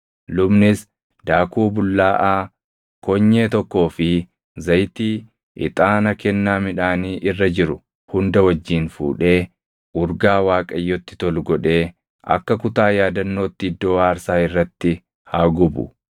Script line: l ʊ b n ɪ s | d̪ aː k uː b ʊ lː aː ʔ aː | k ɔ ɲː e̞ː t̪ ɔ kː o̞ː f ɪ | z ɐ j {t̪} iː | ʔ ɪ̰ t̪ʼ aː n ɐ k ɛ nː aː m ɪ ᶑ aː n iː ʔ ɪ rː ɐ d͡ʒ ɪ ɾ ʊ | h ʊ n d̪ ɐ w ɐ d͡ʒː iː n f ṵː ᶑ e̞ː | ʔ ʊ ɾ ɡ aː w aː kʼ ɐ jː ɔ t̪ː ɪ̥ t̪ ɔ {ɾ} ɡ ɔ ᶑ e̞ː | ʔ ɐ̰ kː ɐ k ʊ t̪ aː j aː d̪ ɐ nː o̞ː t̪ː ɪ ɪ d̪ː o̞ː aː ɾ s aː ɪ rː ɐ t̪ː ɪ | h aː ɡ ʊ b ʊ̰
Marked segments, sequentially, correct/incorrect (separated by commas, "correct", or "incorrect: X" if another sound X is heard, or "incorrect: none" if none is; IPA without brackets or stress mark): correct, incorrect: l